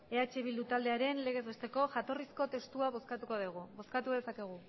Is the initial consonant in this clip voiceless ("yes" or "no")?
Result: yes